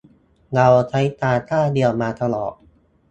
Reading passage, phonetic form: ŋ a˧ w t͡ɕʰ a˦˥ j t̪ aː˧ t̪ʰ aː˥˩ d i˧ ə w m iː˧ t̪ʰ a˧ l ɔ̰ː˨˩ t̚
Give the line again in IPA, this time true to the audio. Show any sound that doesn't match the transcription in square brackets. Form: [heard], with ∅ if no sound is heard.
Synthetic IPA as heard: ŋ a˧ w t͡ɕʰ a˦˥ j t̪ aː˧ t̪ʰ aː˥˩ d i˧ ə w m [aː˧] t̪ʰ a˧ l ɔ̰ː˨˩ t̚